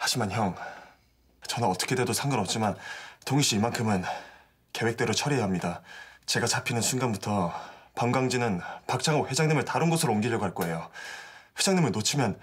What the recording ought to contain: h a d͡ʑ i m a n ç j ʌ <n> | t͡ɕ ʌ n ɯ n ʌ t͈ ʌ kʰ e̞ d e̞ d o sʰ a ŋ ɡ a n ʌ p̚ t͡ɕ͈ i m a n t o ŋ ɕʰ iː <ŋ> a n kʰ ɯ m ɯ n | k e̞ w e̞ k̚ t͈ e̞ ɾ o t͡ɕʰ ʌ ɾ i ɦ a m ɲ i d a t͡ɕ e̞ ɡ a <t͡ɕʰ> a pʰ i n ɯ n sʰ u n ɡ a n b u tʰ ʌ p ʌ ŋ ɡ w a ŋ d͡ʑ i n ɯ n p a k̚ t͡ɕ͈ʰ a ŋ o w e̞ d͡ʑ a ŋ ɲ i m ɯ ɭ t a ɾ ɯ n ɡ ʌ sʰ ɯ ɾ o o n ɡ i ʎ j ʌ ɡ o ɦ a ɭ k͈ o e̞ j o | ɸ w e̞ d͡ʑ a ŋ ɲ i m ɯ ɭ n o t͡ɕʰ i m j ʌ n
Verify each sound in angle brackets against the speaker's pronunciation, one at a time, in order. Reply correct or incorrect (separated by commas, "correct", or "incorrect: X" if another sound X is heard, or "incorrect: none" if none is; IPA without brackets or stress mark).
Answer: incorrect: ŋ, incorrect: m, incorrect: t͡ɕ